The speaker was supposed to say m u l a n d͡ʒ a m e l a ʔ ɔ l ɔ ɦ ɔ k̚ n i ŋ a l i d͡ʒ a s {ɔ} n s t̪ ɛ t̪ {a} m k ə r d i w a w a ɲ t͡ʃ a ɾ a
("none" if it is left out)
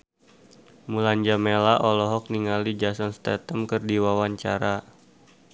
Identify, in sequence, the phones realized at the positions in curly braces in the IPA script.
ɔ, ə

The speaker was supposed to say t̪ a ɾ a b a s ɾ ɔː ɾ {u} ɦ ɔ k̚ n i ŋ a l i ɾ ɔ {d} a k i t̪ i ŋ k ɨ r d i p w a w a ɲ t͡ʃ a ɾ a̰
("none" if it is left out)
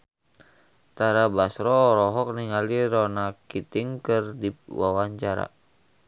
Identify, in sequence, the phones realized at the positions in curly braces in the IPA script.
ɔ, n

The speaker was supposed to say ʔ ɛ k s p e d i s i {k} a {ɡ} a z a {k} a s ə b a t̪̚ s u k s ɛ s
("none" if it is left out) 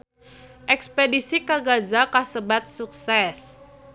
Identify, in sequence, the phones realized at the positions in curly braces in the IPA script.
k, ɡ, k

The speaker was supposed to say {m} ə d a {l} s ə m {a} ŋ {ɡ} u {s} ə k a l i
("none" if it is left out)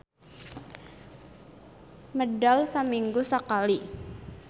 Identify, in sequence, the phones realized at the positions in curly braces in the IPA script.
m, l, i, ɡ, s

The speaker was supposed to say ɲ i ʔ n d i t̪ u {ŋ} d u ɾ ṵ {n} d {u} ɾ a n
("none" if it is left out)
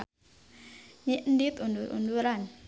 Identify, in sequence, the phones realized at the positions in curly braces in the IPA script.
n, n, u

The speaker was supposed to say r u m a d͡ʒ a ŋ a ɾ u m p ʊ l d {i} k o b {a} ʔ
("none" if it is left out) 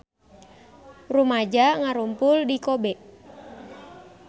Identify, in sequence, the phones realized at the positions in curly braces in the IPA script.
i, ɛ

